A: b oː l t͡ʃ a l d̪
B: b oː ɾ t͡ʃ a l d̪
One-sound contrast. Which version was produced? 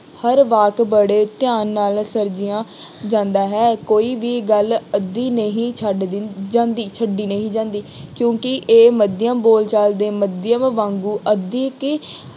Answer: A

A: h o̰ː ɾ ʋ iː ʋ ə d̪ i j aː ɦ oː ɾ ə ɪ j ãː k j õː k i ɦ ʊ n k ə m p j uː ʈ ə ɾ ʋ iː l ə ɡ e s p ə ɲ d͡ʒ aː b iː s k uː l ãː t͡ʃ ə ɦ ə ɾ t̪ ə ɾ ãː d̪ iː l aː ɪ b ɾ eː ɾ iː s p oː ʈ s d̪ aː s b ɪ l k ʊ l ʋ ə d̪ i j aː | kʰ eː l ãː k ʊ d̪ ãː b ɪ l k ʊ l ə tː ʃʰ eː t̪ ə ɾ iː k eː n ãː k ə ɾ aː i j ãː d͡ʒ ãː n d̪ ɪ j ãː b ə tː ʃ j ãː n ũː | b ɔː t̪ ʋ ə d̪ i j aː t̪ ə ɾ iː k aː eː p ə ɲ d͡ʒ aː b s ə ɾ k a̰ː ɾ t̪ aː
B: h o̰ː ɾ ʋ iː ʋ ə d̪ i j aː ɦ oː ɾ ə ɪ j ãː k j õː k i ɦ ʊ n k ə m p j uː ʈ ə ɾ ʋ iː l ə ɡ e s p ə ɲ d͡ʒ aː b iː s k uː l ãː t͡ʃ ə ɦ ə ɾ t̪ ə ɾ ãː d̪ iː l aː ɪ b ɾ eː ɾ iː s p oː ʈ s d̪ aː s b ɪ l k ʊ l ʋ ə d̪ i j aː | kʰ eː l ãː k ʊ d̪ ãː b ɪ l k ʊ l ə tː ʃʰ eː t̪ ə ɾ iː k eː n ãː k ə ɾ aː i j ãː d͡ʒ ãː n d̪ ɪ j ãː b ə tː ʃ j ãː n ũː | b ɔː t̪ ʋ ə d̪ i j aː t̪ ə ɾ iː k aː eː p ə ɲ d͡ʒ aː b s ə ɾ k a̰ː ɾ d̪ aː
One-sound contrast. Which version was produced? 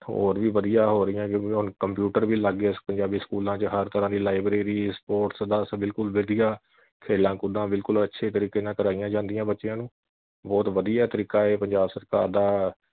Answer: B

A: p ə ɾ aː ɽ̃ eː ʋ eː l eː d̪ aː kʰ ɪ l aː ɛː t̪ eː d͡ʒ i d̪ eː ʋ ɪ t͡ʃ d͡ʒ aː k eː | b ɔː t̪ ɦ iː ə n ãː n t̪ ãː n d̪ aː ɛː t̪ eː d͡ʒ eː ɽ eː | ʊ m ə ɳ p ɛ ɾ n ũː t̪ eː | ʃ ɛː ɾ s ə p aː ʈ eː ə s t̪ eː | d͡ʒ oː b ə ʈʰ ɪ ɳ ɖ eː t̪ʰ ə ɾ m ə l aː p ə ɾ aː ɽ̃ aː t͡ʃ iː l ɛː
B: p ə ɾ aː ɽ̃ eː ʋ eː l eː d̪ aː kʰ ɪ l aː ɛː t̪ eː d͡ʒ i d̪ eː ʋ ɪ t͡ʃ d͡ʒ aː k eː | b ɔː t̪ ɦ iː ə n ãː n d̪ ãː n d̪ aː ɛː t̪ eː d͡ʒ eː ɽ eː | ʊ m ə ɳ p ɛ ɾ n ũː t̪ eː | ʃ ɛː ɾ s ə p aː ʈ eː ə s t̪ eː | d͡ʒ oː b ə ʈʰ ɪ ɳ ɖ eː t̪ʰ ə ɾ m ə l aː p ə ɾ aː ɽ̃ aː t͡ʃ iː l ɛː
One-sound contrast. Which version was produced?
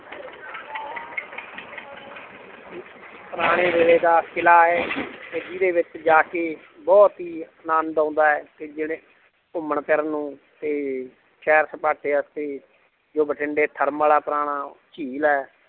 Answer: B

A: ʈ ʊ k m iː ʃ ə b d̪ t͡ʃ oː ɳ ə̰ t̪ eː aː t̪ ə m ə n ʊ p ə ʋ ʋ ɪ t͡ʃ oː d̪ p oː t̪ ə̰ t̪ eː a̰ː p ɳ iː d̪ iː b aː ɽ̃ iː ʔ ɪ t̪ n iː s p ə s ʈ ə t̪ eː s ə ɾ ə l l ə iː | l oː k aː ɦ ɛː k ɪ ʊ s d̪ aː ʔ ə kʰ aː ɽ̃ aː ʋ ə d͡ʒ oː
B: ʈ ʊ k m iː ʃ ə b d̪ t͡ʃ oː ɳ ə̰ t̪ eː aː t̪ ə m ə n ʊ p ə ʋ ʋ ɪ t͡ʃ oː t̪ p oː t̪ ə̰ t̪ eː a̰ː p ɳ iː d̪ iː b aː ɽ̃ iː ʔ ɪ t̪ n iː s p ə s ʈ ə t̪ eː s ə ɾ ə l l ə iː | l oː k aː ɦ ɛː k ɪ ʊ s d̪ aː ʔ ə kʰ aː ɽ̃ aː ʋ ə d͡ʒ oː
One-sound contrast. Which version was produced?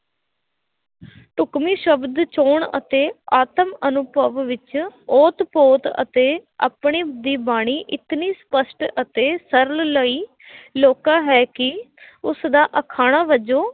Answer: B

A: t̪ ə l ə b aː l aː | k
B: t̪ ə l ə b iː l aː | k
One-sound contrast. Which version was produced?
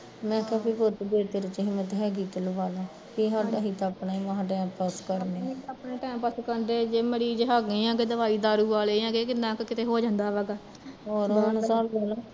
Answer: A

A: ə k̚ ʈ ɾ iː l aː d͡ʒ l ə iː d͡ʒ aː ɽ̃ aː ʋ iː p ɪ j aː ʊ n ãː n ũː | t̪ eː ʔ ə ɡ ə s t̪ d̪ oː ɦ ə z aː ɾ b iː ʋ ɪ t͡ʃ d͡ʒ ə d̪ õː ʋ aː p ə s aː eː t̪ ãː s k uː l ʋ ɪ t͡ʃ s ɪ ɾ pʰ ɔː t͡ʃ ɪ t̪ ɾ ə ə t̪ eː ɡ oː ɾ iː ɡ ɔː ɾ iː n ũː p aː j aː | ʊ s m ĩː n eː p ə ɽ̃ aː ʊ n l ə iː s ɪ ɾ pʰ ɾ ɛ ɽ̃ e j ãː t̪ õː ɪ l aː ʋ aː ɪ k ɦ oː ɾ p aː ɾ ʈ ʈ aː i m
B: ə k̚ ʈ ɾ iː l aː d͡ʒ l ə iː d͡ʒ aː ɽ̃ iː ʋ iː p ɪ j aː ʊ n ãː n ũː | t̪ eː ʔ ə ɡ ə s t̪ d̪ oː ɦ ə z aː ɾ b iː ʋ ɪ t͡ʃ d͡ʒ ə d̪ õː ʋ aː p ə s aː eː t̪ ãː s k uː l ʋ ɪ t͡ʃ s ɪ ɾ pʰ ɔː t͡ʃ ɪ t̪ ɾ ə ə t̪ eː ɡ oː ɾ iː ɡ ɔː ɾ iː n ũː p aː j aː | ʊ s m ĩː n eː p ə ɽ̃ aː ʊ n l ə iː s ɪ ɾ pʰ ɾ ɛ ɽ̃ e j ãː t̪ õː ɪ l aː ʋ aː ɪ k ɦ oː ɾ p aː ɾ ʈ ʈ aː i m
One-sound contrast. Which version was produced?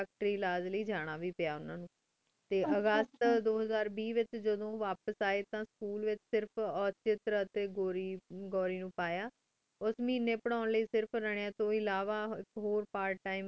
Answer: A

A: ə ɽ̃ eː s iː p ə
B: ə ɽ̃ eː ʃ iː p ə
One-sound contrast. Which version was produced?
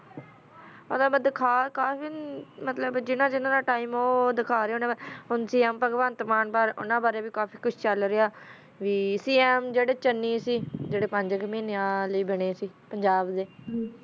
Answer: A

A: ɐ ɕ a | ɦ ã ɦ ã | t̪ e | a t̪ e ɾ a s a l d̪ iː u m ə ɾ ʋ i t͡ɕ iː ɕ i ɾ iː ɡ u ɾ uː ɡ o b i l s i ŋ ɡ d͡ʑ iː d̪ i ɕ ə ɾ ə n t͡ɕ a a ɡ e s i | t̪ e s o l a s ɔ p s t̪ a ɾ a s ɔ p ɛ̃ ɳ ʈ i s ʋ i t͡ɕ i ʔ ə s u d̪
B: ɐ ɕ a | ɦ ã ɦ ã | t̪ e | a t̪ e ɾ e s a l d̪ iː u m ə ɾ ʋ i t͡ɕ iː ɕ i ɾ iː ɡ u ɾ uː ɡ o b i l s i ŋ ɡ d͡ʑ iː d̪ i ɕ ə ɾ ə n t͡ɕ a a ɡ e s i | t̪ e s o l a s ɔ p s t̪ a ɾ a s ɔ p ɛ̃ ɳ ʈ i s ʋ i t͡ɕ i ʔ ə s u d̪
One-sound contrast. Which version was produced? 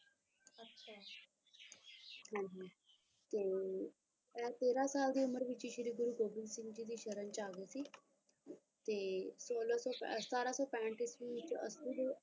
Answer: A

